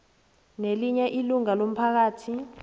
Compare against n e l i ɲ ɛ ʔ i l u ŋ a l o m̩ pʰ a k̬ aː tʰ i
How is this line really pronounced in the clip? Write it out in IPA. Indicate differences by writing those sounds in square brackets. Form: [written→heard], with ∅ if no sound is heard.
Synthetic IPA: n e l i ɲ ɛ ʔ i l u ŋ a l o m̩ pʰ a k̬ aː tʰ i